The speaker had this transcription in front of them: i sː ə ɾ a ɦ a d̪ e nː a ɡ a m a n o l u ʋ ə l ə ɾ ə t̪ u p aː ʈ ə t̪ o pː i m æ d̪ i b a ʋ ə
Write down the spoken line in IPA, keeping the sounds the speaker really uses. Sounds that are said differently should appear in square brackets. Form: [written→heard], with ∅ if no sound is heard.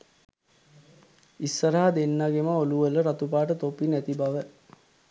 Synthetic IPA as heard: i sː ə ɾ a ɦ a d̪ e nː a ɡ [a→e] m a [n→∅] o l u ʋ ə l ə ɾ [ə→a] t̪ u p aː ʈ ə t̪ o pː i [m→n] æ [d̪→t̪] i b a ʋ ə